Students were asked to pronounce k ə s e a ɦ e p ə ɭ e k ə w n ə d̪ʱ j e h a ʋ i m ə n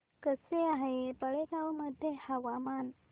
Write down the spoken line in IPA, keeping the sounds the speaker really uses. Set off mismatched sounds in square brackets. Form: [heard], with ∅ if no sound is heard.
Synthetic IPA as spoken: k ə s e a ɦ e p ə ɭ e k [a] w [m] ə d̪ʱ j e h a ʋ [a] m [a] n